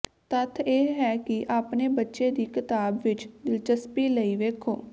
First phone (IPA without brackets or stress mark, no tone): t̪